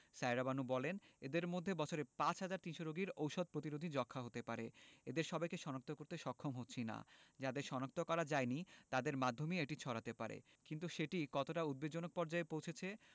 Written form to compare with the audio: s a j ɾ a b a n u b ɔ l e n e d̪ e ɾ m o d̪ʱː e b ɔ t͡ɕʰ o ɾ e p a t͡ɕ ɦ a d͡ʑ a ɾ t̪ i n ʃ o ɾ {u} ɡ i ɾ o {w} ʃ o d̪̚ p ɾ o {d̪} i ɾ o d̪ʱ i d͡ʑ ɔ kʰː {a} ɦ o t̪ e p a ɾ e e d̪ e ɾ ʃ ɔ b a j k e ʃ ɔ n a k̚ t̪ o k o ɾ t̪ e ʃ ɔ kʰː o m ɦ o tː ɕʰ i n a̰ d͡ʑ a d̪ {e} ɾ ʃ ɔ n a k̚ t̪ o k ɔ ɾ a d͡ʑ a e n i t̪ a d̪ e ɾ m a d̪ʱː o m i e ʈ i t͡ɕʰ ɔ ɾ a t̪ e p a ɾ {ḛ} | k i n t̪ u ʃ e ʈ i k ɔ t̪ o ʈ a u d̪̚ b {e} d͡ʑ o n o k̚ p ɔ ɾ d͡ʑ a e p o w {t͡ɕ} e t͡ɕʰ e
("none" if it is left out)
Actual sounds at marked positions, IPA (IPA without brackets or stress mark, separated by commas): o, w, t̪, a, e, ḛ, e, t͡ɕʰ